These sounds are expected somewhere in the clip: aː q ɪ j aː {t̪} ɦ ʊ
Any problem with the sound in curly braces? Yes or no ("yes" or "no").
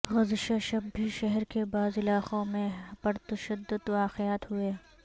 no